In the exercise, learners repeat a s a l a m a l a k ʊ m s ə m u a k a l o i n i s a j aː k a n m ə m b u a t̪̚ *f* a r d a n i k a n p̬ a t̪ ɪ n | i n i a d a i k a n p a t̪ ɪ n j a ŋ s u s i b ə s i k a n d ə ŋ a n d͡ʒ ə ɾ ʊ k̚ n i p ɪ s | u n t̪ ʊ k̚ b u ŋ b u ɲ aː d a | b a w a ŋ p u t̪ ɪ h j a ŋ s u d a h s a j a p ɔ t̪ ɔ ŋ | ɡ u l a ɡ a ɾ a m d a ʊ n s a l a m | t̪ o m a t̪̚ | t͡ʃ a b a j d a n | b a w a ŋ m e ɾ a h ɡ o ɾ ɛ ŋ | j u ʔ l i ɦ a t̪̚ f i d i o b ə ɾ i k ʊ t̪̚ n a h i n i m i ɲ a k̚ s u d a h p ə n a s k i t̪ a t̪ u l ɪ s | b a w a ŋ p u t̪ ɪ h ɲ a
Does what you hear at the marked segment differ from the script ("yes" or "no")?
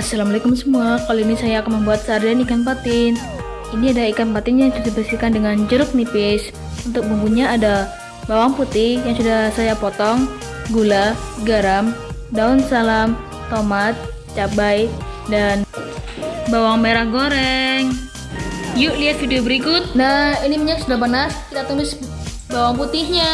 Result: yes